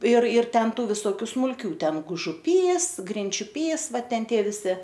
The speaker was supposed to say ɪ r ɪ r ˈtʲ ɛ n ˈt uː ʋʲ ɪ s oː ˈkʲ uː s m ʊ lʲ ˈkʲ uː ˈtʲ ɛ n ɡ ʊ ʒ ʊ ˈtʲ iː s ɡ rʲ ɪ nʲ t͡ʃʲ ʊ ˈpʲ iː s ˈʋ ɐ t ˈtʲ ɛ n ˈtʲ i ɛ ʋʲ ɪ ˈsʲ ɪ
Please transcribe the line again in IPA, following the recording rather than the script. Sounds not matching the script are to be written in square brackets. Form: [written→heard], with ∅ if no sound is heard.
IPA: ɪ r ɪ r ˈtʲ ɛ n ˈt uː ʋʲ ɪ s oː ˈkʲ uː s m ʊ lʲ ˈkʲ uː ˈtʲ ɛ n ɡ ʊ ʒ ʊ [ˈtʲ→ˈpʲ] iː s ɡ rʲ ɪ nʲ t͡ʃʲ ʊ ˈpʲ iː s ˈʋ ɐ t ˈtʲ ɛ n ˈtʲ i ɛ ʋʲ ɪ ˈsʲ ɪ